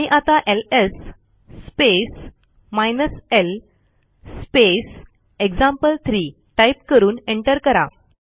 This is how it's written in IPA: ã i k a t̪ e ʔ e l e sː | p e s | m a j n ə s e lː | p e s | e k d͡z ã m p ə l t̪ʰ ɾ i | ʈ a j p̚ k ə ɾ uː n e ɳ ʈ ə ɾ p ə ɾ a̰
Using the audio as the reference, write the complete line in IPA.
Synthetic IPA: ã i ʔ a t̪ a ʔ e l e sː | p e s | m a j n ə s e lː | p e s | e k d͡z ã m p ə l t̪ʰ ɾ i | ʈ a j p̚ k ə ɾ uː n e ɳ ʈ ə ɾ k ə ɾ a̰